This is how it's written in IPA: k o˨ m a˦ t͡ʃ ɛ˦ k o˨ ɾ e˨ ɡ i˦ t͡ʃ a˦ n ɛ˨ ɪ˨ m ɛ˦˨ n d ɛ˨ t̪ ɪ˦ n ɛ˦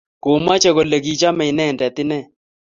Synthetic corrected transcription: k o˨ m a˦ t͡ʃ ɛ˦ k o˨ l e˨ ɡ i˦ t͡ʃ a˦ m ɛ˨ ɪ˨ n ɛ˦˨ n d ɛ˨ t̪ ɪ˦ n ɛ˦